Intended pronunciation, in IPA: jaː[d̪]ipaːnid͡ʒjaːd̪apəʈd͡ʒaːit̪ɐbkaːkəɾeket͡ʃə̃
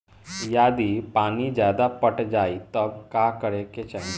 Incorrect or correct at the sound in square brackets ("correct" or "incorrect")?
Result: correct